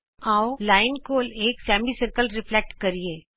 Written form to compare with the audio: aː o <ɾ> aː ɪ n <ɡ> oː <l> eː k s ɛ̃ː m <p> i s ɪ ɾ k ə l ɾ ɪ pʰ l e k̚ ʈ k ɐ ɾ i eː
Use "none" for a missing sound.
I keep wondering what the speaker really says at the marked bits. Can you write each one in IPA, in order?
l, k, l, b

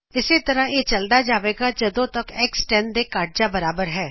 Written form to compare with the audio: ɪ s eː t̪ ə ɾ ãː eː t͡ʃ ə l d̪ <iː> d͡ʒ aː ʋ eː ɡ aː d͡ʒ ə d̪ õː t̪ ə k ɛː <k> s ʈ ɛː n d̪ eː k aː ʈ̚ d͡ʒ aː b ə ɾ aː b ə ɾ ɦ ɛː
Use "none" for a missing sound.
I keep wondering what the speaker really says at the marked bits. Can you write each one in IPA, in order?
aː, k

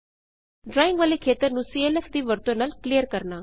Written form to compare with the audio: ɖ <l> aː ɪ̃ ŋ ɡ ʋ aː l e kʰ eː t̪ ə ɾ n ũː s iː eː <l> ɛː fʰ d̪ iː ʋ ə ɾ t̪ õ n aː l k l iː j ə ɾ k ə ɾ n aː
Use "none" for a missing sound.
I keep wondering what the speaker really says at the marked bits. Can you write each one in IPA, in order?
ɾ, l

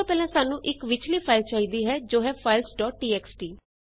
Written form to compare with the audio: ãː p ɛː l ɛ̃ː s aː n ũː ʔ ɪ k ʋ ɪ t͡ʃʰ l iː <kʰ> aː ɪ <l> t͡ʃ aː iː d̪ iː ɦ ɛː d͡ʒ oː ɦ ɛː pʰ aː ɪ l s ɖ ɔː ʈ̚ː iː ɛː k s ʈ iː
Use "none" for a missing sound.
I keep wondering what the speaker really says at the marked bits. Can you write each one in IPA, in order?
pʰ, l

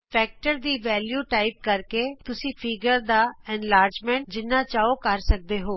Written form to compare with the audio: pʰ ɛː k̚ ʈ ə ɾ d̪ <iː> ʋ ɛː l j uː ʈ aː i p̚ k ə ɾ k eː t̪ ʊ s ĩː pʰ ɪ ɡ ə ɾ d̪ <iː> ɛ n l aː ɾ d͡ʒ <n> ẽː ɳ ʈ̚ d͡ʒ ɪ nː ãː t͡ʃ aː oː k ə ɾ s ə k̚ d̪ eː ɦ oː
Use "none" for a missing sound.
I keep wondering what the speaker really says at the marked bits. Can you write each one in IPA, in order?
iː, aː, m

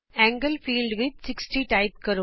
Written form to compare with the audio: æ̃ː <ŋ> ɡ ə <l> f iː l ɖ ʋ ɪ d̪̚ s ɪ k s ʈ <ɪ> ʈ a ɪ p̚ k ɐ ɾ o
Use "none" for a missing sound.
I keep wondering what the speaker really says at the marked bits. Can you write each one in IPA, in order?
ŋ, l, i

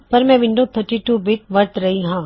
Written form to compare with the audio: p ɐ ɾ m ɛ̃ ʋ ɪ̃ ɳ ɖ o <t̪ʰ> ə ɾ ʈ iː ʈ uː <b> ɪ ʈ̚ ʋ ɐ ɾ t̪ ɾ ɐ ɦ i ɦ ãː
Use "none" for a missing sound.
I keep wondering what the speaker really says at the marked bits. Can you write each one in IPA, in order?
t̪ʰ, b

